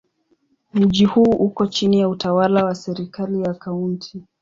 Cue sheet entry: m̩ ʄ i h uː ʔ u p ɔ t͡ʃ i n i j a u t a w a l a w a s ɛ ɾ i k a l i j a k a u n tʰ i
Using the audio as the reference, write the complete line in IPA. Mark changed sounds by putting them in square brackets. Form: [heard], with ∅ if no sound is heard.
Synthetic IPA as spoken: m̩ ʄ i h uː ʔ u [k] ɔ t͡ʃ i n i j a u t a w a l a w a s ɛ ɾ i k a l i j a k a u n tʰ i